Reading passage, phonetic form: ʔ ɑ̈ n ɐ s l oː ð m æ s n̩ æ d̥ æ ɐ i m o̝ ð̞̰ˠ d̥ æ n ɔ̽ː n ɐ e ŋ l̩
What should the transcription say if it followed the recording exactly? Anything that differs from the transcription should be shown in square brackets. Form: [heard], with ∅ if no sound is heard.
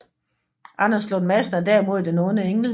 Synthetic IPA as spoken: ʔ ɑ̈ n ɐ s l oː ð m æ s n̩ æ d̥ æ ɐ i m o̝ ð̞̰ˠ d̥ [e] n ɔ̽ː n [ə] e ŋ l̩